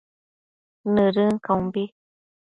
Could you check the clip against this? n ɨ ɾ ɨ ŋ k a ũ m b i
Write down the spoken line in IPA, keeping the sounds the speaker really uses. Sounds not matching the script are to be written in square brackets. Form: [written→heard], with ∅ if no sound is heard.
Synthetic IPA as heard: n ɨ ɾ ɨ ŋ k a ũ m b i